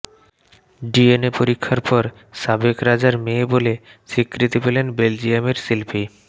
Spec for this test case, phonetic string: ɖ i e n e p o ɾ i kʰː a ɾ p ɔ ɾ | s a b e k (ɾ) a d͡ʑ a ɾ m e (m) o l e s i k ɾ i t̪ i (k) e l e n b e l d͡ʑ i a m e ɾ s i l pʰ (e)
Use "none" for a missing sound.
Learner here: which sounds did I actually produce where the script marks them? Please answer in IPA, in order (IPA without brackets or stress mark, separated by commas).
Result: ɾ, b, p, i